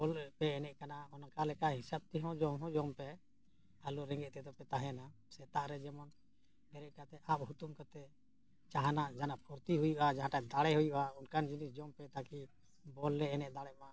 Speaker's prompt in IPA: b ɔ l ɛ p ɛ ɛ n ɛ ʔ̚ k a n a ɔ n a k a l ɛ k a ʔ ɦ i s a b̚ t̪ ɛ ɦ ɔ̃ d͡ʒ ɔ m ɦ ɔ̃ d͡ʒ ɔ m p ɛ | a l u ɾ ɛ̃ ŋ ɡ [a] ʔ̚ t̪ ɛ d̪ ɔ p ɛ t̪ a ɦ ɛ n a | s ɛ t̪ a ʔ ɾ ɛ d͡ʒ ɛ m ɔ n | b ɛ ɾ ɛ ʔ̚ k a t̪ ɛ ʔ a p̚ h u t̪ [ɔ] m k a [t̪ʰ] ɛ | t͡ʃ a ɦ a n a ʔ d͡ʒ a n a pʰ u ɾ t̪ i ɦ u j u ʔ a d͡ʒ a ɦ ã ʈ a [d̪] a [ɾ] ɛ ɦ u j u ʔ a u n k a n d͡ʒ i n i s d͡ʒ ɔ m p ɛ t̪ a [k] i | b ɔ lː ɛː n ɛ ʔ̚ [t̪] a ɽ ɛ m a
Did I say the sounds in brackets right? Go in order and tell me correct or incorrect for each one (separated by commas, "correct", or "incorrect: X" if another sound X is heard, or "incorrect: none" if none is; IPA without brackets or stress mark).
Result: incorrect: ɛ, incorrect: u, incorrect: t̪, correct, incorrect: ɽ, correct, incorrect: d̪